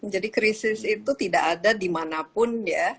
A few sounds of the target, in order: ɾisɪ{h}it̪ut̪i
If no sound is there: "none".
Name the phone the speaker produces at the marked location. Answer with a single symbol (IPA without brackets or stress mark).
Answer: s